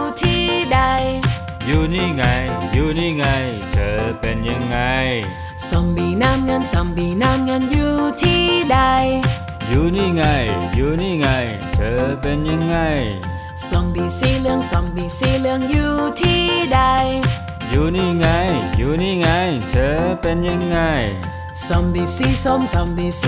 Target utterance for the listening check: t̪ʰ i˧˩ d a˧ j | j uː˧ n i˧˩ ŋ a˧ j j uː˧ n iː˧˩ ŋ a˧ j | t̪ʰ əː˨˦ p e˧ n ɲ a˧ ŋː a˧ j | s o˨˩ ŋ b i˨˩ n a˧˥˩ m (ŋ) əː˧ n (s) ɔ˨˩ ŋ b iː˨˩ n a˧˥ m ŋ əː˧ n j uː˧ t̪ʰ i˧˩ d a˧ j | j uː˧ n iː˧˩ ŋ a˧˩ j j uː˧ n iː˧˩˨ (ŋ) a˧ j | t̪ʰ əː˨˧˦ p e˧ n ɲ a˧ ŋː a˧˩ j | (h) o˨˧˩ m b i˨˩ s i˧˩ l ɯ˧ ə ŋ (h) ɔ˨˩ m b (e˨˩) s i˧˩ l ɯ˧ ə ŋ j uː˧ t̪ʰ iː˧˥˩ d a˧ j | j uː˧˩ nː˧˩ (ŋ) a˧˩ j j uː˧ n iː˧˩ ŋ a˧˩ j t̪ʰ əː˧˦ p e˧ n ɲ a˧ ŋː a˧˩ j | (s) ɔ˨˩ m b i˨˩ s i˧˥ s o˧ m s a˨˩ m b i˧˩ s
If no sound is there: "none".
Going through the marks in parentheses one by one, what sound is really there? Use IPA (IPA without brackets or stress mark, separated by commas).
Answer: ŋ, s, ŋ, s, s, i˨˩, ŋ, s